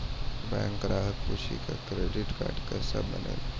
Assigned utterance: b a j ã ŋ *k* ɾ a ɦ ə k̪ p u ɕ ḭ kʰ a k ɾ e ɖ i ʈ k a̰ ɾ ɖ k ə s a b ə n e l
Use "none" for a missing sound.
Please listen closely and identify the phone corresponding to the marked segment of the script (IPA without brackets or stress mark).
k